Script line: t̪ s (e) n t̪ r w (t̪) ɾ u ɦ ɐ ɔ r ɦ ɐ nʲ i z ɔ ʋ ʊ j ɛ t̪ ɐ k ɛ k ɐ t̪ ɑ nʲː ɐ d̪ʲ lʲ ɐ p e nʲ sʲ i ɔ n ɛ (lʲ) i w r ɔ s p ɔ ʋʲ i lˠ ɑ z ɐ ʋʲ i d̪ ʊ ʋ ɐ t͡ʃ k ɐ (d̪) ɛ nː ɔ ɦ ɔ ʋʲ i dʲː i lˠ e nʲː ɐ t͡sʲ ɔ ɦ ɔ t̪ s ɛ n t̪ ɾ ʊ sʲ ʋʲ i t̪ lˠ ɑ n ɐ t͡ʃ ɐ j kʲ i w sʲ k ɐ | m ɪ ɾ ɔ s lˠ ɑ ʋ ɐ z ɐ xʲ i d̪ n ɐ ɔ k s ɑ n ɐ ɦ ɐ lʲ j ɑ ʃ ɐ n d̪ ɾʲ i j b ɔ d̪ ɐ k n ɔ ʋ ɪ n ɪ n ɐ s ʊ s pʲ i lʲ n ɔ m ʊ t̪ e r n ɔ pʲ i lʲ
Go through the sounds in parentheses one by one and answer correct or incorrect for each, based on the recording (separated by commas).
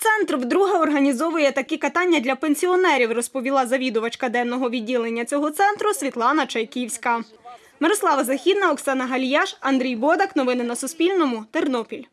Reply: incorrect, incorrect, incorrect, correct